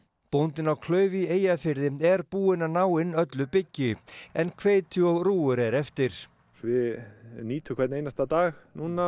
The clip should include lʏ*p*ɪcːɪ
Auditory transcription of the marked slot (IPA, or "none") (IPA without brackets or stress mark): p